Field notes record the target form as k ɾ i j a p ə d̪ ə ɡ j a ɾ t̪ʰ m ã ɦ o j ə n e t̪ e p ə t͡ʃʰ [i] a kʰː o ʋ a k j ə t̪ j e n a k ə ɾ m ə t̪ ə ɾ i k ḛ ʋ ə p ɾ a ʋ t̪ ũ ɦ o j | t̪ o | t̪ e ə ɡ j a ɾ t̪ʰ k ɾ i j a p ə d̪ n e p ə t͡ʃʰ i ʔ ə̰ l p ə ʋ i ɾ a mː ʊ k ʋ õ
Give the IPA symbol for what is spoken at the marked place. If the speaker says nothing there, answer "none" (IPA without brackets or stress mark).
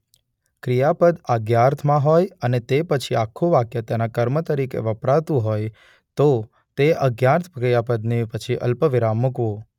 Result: i